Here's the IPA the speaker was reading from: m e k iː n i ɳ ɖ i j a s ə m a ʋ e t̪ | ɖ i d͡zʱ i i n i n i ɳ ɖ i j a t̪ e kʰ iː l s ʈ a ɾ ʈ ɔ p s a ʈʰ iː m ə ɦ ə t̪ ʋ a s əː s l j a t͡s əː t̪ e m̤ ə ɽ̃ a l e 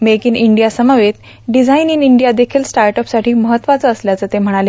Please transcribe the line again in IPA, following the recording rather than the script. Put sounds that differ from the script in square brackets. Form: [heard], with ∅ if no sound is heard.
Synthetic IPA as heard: m e k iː n i ɳ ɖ i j a s ə m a ʋ e t̪ | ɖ i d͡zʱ [a] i n i n i ɳ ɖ i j a [d̪] e kʰ iː l s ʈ a ɾ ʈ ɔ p s a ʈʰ iː m ə ɦ ə t̪ ʋ a [t͡s] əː s l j a t͡s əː t̪ e m̤ ə ɽ̃ a l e